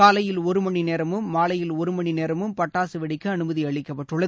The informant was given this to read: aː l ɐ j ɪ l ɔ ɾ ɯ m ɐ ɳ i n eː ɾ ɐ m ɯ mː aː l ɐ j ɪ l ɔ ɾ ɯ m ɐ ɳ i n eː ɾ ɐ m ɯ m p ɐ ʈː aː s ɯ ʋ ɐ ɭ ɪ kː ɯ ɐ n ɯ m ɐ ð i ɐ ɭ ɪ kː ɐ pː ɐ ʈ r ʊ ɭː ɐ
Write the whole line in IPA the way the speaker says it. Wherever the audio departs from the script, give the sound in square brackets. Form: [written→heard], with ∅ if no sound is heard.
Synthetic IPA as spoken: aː l ɐ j ɪ l ɔ ɾ ɯ m ɐ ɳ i n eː ɾ ɐ m ɯ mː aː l ɐ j ɪ l ɔ ɾ ɯ m ɐ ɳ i n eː ɾ ɐ m ɯ m p ɐ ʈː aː s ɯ ʋ ɐ [ɭ→ɽ] ɪ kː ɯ ɐ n ɯ m ɐ ð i ɐ ɭ ɪ kː ɐ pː ɐ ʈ r [ʊ→ɯ] ɭː ɐ